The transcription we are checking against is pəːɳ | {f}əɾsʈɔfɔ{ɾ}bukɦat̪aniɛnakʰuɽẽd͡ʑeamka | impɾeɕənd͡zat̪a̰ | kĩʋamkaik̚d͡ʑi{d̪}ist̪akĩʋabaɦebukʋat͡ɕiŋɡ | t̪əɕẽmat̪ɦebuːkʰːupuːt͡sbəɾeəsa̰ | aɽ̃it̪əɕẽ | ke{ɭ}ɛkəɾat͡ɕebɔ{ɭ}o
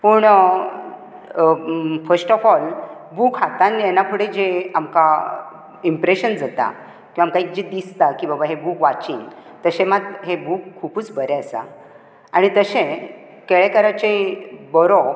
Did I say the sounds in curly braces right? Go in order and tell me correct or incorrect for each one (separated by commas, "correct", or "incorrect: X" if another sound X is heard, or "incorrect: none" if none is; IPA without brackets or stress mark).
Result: correct, incorrect: l, correct, correct, incorrect: ɾ